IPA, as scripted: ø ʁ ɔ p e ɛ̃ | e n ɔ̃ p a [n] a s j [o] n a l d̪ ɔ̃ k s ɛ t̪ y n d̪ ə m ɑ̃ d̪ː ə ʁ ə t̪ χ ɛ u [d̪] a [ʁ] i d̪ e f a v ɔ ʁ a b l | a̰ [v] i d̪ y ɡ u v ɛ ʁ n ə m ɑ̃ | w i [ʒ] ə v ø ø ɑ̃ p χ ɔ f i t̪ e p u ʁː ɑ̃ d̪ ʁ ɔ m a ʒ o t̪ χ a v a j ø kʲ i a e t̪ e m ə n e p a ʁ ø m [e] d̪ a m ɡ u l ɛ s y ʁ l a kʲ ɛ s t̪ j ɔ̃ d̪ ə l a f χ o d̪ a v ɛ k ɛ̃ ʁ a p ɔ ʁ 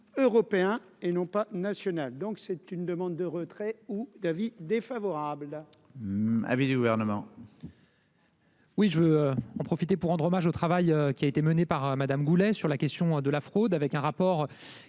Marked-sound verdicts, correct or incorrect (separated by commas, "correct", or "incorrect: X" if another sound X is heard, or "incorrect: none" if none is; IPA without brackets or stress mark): correct, incorrect: ɔ, correct, incorrect: v, correct, correct, incorrect: a